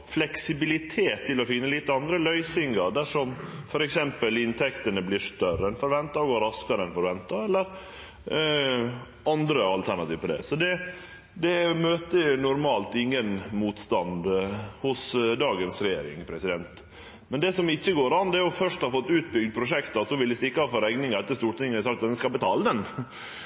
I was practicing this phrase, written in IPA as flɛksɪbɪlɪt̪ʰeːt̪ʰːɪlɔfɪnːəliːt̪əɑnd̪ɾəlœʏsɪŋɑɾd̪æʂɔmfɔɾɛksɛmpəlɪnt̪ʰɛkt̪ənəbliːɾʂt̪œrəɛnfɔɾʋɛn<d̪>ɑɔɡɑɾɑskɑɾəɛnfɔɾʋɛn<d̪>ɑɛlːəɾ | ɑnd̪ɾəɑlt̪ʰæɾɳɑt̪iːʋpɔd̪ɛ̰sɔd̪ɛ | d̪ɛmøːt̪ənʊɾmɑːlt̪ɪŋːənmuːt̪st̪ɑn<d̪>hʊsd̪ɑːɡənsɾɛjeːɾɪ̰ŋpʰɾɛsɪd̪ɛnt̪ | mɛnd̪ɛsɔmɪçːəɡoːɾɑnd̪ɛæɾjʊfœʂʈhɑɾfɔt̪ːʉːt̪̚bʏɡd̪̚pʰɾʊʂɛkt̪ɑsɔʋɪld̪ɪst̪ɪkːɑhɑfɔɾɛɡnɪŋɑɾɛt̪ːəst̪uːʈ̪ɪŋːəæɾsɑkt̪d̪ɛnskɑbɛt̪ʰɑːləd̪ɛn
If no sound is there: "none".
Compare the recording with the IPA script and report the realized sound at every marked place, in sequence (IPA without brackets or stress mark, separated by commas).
t̪, t̪, d̪